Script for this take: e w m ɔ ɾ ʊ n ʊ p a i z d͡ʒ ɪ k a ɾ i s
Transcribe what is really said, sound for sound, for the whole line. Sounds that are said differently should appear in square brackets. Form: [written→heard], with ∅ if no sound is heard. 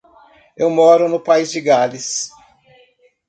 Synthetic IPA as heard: e w m ɔ ɾ ʊ n ʊ p a i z d͡ʒ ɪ [k→ɡ] a [ɾ→l] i s